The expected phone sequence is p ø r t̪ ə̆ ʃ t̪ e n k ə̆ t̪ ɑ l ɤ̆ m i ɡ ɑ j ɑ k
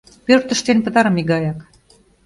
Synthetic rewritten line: p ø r t̪ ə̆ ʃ t̪ e n p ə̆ t̪ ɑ ɾ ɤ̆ m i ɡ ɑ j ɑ k